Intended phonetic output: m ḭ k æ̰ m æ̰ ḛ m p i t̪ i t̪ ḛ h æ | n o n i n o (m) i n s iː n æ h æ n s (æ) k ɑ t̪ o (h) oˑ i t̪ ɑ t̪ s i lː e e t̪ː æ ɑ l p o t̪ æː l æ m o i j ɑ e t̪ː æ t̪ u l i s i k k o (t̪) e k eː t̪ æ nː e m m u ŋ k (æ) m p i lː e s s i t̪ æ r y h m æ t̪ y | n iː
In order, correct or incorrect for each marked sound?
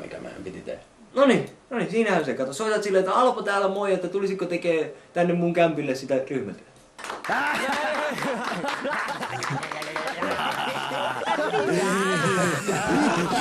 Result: incorrect: n, incorrect: e, incorrect: s, correct, correct

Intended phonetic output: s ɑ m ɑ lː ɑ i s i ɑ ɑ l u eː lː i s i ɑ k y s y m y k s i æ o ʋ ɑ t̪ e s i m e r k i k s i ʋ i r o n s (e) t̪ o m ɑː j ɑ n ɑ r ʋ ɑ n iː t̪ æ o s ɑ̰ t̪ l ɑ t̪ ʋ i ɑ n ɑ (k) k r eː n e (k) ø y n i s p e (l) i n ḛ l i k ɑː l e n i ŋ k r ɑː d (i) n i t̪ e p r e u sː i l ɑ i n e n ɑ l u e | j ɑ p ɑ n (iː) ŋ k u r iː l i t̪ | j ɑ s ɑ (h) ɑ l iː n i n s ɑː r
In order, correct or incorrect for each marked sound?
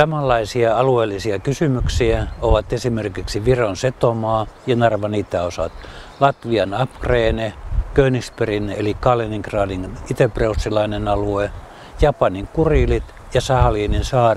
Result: correct, incorrect: p, correct, incorrect: r, correct, incorrect: i, correct

